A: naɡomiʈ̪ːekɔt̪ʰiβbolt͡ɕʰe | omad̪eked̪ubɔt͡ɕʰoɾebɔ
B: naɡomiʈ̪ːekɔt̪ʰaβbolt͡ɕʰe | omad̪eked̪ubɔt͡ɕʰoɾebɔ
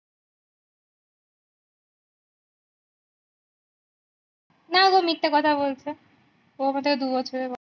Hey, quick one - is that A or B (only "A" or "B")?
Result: B